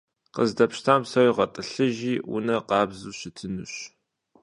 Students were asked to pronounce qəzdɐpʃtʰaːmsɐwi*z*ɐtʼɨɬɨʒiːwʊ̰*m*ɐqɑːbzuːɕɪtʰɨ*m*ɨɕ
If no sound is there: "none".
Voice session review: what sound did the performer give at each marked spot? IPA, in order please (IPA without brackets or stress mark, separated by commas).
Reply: ʁ, n, n